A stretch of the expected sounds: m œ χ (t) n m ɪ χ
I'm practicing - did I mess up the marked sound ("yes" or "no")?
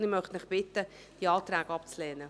no